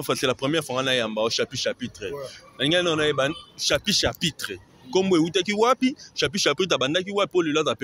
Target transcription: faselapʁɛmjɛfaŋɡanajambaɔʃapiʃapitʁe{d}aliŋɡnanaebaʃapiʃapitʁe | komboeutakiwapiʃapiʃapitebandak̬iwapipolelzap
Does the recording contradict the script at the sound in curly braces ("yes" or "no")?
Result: yes